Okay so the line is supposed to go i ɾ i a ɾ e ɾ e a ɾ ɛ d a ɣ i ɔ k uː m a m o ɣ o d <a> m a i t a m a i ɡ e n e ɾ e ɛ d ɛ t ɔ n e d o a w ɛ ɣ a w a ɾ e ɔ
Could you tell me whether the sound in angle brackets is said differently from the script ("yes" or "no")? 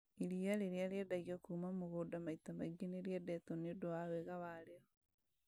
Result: no